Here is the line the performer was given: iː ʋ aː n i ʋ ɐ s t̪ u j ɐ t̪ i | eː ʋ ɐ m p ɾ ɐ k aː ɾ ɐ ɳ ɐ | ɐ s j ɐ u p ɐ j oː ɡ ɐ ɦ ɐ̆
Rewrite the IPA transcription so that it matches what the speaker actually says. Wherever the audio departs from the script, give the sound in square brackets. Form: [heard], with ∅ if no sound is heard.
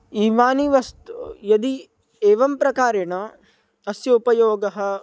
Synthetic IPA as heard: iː ʋ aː n i ʋ ɐ s t̪ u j ɐ [d̪] i | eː ʋ ɐ m p ɾ ɐ k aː ɾ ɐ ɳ ɐ | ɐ s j ɐ u p ɐ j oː ɡ ɐ ɦ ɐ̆